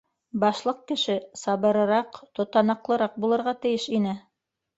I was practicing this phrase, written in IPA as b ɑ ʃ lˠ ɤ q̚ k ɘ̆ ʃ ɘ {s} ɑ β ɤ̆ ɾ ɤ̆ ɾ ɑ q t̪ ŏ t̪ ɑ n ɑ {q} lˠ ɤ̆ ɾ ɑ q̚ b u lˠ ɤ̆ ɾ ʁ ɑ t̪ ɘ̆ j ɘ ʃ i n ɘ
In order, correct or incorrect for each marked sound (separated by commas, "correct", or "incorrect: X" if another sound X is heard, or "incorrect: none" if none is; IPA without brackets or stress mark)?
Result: correct, correct